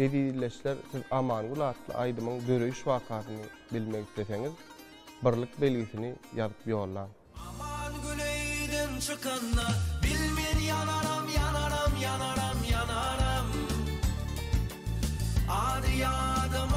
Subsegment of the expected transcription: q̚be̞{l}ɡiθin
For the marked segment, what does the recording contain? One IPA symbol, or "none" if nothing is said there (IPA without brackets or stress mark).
l